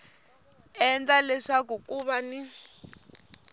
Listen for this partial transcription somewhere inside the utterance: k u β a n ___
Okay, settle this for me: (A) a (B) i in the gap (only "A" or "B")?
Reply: B